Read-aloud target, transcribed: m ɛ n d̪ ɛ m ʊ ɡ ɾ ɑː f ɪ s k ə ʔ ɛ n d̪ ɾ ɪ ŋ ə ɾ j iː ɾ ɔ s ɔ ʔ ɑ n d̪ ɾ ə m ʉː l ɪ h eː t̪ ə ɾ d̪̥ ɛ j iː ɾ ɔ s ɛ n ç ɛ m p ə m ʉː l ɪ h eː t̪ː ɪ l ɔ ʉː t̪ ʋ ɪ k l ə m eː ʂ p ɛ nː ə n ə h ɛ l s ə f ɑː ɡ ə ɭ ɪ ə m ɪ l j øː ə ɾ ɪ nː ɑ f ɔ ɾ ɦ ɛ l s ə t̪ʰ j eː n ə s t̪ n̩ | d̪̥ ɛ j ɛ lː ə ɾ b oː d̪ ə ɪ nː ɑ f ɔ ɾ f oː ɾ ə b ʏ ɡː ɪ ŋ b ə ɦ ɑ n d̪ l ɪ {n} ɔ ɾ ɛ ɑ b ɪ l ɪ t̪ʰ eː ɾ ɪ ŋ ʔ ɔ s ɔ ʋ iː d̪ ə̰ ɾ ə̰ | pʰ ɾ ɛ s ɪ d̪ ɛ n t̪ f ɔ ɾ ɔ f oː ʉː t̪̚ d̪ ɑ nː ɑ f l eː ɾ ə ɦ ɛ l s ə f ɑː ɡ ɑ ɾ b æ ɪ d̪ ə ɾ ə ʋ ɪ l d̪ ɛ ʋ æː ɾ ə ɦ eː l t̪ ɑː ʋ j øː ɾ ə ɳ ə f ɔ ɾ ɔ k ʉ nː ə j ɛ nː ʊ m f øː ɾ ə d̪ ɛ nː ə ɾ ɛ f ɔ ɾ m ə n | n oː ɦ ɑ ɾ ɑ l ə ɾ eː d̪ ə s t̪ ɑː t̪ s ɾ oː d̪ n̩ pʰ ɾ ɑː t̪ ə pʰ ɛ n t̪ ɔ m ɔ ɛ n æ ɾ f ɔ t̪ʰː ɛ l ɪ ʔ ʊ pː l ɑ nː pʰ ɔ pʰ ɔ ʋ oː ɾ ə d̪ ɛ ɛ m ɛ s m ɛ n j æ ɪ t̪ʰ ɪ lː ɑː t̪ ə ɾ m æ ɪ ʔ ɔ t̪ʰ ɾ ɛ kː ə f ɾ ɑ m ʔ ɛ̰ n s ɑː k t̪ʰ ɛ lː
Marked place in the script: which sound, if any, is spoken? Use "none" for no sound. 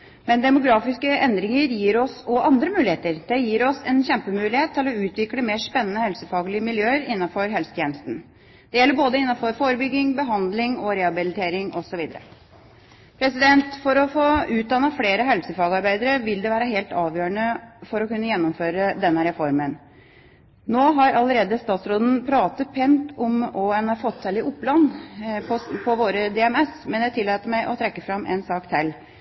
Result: ŋ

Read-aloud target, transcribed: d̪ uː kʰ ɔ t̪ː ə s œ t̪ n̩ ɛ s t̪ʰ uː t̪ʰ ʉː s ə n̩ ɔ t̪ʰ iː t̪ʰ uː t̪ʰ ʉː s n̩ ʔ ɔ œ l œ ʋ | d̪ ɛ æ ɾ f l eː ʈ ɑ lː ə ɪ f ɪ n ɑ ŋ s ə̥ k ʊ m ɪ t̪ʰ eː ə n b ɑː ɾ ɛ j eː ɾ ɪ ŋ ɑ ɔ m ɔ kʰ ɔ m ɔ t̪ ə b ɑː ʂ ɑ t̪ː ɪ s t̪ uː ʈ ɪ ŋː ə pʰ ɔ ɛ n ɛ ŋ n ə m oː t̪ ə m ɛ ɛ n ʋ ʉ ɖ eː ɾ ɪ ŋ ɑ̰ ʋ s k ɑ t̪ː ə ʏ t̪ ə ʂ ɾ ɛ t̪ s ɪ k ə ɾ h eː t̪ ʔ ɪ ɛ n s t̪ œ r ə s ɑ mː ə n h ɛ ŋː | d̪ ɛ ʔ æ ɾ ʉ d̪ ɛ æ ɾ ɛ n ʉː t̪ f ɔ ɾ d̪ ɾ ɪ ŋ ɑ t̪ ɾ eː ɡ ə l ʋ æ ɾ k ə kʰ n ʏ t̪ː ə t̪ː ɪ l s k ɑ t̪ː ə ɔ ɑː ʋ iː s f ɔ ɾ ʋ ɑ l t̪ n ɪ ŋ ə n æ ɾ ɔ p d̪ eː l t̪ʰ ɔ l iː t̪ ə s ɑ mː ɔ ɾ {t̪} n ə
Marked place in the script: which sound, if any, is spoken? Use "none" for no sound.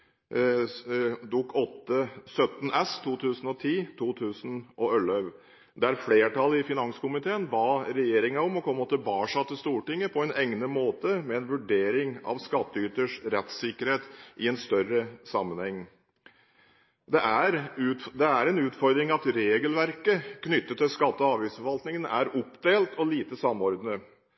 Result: d̪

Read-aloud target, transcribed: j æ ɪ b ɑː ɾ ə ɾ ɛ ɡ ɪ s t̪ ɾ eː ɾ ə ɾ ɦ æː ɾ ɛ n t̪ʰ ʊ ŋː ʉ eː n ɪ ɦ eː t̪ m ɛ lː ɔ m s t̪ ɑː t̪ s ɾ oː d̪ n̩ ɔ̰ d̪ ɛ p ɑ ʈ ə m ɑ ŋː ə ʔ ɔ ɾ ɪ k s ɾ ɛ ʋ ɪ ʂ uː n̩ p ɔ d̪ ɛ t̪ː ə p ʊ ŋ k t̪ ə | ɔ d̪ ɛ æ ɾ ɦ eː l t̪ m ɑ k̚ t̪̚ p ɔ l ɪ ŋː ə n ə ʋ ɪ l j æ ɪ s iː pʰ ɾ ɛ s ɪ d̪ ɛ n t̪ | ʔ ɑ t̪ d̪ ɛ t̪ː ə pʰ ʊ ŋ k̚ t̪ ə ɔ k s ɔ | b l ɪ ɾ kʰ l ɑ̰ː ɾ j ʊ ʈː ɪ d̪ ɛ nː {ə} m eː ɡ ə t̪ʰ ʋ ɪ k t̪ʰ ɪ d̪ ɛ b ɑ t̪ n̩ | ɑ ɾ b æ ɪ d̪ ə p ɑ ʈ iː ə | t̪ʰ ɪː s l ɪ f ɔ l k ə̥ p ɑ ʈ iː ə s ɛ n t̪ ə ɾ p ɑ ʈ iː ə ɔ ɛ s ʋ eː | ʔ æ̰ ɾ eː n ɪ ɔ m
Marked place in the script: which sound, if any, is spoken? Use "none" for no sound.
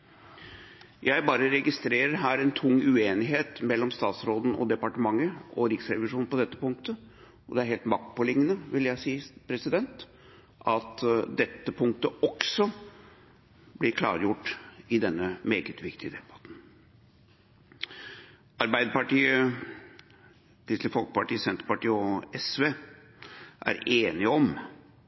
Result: ə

